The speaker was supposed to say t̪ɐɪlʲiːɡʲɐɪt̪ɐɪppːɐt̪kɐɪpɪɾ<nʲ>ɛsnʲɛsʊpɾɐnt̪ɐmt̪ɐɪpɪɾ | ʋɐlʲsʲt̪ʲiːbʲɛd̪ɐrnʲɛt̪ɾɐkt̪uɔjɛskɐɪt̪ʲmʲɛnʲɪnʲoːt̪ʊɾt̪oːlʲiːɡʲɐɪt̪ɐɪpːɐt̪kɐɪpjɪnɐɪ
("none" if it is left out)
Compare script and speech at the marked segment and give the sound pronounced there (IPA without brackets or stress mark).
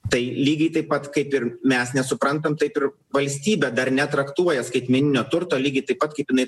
mʲ